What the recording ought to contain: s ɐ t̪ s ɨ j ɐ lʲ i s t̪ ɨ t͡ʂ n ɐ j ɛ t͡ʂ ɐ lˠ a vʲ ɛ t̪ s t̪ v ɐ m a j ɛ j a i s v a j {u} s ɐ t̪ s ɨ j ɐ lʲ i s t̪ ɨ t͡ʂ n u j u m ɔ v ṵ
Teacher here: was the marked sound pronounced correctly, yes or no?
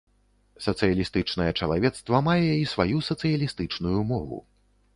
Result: yes